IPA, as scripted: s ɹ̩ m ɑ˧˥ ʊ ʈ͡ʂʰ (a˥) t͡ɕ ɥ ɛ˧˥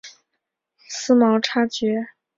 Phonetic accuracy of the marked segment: correct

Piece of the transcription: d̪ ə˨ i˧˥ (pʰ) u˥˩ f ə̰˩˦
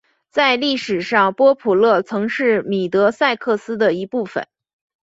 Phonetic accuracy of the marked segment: incorrect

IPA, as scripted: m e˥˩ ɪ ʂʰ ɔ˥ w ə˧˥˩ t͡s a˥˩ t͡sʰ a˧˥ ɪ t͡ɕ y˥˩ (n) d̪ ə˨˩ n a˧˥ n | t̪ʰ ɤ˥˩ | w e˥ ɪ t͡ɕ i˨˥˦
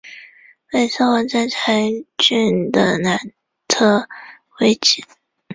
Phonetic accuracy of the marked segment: correct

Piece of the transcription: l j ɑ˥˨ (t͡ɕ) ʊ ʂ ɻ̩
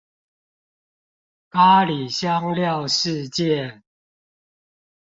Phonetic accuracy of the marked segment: incorrect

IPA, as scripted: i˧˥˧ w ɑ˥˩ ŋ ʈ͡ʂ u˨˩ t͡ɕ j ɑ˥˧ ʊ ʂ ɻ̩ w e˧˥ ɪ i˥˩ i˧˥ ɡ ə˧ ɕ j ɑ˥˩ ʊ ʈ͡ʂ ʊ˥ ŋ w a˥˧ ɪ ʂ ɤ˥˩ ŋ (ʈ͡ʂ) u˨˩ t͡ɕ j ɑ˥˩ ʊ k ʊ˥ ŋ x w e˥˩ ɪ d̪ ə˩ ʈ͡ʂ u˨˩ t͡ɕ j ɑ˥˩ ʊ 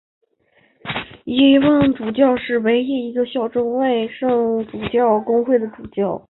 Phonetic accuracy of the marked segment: correct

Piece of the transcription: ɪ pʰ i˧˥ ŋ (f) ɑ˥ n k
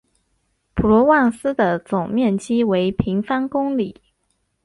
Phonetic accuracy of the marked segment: correct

